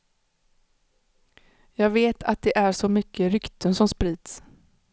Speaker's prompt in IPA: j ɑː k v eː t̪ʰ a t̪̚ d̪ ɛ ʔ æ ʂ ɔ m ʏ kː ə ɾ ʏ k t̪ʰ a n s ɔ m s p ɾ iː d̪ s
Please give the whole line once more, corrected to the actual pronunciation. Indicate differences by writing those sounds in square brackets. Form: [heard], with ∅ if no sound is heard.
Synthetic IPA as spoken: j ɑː [ɡ] v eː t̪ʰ a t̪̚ d̪ ɛ ʔ æ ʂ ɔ m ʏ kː ə ɾ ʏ k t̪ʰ [ə] n s ɔ m s p ɾ iː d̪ s